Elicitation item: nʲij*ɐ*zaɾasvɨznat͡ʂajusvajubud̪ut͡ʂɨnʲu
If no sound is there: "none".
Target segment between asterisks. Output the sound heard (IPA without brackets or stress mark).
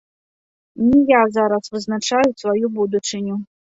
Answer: a